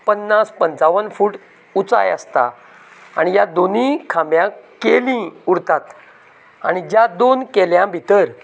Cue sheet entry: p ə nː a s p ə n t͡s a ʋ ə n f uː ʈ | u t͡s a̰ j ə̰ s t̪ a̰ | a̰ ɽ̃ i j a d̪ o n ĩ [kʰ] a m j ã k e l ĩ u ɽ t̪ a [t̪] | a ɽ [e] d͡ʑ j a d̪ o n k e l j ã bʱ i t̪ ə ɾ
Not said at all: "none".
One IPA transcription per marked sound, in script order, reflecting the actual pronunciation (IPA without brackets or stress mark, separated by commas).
kʰ, t̪, i